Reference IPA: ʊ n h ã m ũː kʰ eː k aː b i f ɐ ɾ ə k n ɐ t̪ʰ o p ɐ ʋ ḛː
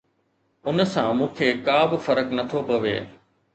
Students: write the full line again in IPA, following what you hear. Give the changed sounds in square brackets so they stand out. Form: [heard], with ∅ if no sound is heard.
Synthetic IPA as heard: ʊ n [s] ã m ũː kʰ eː k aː b [ɪ] f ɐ ɾ ə k n ɐ t̪ʰ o p ɐ ʋ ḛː